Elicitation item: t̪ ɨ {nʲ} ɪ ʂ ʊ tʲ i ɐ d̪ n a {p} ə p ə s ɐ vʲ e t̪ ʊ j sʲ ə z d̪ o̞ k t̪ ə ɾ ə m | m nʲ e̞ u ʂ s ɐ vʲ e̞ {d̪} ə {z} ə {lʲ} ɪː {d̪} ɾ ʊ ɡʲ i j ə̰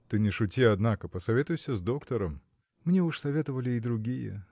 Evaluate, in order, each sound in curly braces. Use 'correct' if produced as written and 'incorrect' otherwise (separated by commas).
correct, incorrect, incorrect, incorrect, correct, correct